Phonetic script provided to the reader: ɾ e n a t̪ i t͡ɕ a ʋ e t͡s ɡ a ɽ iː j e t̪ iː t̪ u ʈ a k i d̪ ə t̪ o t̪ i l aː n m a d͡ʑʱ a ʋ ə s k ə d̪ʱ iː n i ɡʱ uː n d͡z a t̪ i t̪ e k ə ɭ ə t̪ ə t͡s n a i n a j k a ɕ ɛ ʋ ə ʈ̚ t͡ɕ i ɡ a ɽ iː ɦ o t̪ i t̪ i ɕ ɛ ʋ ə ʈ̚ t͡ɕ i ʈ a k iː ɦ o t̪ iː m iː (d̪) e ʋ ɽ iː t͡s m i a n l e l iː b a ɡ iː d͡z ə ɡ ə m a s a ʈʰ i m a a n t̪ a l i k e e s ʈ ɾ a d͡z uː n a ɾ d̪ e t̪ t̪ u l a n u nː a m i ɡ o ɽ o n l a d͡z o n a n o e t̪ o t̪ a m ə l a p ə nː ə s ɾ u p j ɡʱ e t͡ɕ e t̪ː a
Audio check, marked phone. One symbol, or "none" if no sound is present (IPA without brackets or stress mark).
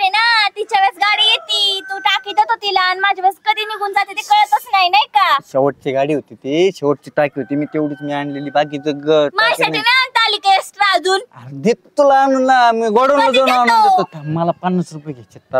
t̪